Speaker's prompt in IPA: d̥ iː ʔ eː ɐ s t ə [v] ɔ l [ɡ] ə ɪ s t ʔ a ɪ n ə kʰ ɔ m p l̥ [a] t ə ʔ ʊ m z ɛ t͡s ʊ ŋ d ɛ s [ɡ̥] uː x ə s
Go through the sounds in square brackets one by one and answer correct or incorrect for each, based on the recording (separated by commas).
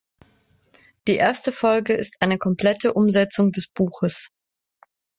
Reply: incorrect, correct, incorrect, incorrect